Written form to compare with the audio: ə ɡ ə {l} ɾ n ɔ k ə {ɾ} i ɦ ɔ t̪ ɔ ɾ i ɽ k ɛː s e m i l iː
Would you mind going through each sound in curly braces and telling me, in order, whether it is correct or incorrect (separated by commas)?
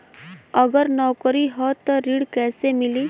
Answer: incorrect, correct